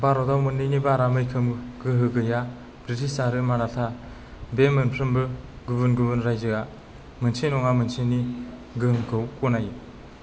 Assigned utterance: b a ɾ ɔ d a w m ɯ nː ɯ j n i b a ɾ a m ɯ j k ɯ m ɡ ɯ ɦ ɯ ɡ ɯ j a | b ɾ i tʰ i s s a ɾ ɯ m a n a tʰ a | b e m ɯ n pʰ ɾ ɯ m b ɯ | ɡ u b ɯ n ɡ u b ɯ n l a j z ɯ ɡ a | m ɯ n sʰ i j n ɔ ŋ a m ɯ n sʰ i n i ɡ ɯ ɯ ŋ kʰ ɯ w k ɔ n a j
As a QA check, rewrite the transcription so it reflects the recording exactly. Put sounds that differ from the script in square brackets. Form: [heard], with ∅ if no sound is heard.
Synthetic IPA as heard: b a ɾ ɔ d a w m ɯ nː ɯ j n i b a ɾ a m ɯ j [kʰ] ɯ m ɡ ɯ ɦ ɯ ɡ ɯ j a | b ɾ i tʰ i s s a ɾ ɯ m a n a tʰ a | b e m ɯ n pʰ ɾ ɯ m b ɯ | ɡ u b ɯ n ɡ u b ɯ n [ɾ] a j z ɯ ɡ a | m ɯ n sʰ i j n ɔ ŋ a m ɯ n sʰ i n i ɡ ɯ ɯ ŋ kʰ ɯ w k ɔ n a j